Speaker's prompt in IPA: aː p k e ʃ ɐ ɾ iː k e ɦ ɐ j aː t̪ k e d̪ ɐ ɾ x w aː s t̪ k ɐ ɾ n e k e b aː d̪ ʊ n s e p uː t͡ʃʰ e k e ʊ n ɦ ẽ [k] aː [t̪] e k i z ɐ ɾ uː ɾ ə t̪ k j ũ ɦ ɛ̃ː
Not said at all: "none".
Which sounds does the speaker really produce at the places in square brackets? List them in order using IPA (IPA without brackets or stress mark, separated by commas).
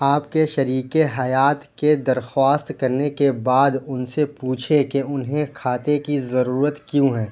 kʰ, t̪